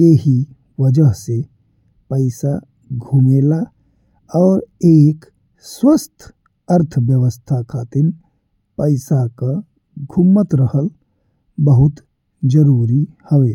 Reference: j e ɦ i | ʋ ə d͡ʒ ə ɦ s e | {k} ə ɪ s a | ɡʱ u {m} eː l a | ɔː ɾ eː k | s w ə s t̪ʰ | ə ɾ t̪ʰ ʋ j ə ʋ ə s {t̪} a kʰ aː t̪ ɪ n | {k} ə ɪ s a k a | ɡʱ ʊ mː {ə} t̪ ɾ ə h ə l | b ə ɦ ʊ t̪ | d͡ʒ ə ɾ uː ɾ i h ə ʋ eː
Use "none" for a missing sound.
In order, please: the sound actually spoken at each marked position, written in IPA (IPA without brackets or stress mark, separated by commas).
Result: p, m, t̪ʰ, p, ə